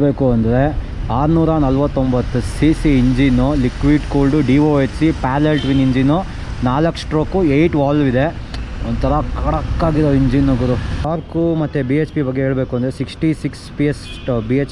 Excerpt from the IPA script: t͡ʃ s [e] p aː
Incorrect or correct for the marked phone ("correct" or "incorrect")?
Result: incorrect